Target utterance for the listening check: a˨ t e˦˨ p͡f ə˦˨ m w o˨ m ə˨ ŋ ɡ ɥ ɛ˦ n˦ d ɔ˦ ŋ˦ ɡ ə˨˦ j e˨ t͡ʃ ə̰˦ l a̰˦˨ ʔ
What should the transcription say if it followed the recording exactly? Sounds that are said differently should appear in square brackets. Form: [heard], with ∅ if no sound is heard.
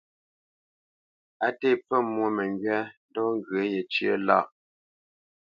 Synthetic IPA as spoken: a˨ t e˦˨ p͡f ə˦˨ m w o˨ m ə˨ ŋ ɡ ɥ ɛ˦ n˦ d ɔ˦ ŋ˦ ɡ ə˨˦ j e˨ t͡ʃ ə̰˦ l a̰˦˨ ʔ